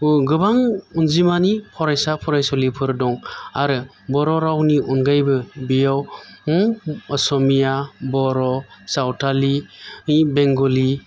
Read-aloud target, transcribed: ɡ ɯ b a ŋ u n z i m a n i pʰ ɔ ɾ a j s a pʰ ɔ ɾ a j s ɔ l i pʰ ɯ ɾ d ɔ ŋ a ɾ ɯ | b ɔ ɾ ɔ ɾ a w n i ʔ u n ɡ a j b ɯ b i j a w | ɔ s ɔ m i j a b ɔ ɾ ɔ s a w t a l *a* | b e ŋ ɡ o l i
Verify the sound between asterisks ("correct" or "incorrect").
incorrect